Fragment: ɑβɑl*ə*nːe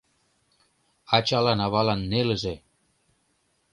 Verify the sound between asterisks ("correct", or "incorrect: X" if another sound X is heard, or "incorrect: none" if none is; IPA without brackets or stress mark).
incorrect: ɑ